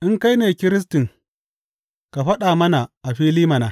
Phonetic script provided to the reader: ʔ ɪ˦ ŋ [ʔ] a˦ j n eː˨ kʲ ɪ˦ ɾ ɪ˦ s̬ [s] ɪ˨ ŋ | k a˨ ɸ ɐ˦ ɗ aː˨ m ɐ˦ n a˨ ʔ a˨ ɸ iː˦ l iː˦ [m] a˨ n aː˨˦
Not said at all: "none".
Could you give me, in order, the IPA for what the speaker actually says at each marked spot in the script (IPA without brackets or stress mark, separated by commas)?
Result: k, t, m